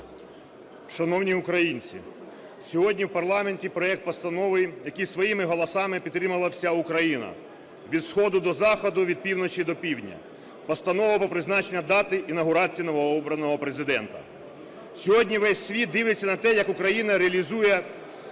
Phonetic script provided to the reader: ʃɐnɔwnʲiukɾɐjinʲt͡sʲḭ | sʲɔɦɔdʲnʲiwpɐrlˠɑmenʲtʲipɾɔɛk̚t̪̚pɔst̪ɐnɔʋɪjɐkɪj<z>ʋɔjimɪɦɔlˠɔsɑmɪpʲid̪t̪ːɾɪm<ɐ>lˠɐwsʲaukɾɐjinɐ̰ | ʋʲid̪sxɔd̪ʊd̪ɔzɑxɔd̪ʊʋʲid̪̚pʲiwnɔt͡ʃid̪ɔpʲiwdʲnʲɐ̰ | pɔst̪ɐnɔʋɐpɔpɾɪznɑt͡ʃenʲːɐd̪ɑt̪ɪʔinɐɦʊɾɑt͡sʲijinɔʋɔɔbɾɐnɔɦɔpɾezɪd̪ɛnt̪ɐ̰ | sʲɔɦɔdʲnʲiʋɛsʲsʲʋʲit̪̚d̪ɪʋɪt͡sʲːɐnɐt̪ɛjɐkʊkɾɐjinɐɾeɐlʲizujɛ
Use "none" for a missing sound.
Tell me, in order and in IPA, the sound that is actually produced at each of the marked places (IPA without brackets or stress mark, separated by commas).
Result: s, ɐ